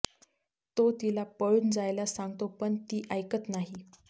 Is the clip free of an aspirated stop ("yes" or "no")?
yes